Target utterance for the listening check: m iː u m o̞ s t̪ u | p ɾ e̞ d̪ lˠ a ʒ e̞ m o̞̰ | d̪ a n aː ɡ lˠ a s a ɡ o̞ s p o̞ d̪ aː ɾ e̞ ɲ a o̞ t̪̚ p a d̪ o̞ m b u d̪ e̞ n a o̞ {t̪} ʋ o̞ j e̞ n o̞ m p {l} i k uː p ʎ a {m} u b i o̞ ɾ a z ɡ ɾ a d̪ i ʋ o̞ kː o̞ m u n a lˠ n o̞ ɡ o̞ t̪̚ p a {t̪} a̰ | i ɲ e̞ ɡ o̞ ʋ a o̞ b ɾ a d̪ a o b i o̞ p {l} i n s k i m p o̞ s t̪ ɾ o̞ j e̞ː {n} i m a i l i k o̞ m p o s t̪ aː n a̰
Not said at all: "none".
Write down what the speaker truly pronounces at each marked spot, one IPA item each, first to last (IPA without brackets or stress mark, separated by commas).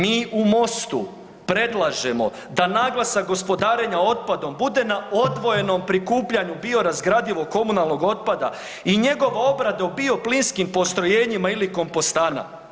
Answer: d̪, ɾ, ɲ, d̪, l, ɲ